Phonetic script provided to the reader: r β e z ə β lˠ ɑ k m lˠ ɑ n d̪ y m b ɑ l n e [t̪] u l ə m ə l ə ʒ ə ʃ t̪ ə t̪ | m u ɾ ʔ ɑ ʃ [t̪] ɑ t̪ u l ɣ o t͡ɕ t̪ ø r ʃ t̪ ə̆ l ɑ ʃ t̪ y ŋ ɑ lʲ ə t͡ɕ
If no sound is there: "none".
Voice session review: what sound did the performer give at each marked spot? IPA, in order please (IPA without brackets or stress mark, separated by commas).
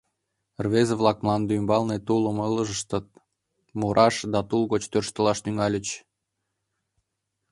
t̪, d̪